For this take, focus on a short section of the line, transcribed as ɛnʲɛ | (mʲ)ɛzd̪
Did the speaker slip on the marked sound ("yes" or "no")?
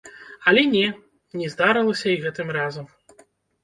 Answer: yes